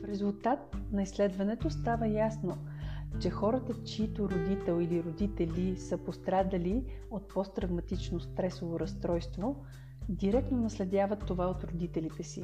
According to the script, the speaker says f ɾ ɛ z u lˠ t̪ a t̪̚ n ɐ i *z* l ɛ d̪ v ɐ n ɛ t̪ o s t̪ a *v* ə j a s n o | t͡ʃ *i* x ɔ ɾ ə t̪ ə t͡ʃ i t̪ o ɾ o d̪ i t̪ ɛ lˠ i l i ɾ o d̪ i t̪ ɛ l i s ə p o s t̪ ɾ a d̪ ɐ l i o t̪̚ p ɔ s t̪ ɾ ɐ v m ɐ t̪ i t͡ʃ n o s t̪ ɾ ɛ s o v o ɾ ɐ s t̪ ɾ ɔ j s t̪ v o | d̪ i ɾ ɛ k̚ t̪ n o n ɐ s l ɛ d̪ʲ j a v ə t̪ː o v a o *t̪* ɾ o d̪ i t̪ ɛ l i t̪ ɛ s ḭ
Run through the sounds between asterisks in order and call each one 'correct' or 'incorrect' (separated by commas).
incorrect, correct, incorrect, correct